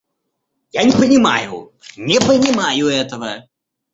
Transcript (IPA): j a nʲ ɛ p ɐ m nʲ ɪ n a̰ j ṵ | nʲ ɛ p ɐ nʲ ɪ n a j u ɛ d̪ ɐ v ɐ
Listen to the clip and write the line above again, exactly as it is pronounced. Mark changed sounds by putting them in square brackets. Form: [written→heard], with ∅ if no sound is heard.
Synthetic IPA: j a nʲ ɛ p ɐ [m→∅] nʲ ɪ [n→m] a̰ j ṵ | nʲ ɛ p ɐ nʲ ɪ [n→m] a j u ɛ [d̪→t̪] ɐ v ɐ